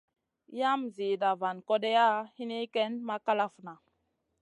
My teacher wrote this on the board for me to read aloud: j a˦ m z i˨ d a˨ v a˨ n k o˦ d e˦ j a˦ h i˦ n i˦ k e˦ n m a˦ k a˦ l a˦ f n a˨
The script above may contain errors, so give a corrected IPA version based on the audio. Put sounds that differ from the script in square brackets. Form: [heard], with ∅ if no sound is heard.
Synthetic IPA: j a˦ m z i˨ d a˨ v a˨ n k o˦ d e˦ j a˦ h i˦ n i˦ k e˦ n m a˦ k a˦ l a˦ f n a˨